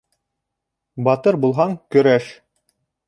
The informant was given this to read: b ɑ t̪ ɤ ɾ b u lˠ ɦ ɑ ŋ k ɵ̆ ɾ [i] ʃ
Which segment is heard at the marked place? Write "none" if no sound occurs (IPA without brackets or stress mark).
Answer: æ